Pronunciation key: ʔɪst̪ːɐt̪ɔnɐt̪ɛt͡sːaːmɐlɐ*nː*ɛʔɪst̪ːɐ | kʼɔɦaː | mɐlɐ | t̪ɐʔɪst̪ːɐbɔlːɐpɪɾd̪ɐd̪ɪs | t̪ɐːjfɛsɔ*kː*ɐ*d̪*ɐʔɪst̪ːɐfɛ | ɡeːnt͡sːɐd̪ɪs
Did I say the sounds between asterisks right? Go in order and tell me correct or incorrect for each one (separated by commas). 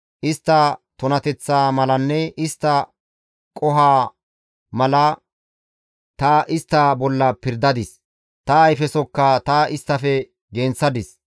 correct, correct, incorrect